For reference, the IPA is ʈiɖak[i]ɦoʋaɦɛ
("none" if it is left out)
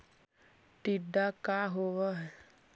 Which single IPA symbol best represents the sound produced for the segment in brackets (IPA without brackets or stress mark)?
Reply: a